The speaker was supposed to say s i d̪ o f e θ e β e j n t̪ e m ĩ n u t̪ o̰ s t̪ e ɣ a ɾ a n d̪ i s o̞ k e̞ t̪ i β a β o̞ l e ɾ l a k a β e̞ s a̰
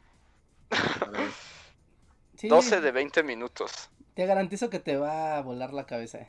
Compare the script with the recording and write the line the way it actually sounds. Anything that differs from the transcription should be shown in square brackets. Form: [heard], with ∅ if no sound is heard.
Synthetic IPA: s i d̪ o [s] e [ð] e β e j n t̪ e m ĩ n u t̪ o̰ s t̪ e ɣ a ɾ a n [t̪] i s o̞ k e̞ t̪ [e] β a β o̞ l [a] ɾ l a k a β e̞ s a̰